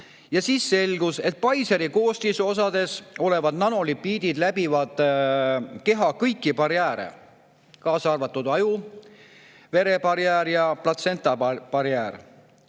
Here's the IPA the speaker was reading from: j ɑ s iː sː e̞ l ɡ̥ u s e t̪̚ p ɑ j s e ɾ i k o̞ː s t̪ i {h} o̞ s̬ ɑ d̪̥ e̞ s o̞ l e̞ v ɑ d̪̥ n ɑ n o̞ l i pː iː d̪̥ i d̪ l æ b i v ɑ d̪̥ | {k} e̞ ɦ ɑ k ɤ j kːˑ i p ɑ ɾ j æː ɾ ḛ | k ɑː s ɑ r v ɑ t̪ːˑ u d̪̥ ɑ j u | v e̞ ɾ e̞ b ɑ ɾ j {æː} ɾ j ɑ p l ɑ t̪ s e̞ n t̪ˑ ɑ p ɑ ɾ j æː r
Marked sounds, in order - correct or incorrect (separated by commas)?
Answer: incorrect, correct, correct